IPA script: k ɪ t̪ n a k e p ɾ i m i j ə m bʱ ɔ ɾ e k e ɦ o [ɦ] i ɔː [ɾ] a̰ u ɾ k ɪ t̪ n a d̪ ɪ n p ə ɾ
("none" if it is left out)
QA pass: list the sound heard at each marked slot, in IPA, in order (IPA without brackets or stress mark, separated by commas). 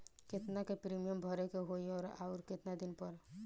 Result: none, ɾ